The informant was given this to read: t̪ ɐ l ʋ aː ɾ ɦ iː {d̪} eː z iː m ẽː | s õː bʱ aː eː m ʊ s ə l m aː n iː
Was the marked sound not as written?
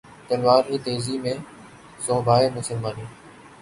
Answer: yes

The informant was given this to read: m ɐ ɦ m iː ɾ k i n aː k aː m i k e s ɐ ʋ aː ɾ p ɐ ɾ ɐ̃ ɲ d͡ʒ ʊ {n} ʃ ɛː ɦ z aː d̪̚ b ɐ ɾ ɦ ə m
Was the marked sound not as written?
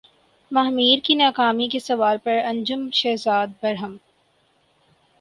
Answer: yes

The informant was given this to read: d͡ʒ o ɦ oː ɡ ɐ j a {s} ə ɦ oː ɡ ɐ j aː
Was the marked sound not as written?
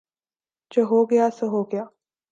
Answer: no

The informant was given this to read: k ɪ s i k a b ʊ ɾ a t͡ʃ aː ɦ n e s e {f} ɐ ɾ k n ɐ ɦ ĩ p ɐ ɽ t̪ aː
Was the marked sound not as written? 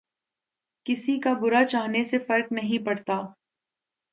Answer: no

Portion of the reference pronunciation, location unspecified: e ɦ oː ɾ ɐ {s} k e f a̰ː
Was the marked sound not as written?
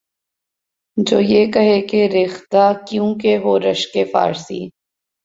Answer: yes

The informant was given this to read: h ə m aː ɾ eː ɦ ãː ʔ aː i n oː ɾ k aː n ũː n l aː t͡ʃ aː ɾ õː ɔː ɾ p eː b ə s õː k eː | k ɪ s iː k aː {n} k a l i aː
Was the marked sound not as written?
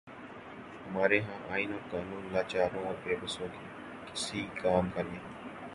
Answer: yes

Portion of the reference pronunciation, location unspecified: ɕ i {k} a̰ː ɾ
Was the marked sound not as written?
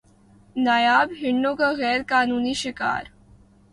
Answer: no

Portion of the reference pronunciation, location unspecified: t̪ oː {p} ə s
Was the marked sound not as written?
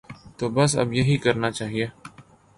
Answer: yes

